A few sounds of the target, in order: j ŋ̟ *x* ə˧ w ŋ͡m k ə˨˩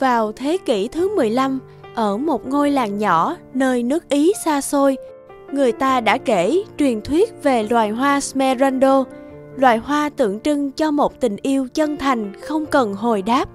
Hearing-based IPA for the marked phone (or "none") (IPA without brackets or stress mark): x